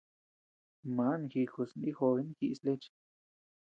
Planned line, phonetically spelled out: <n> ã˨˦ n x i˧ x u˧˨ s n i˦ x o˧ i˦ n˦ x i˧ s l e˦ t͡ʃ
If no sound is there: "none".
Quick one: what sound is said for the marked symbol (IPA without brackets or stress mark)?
m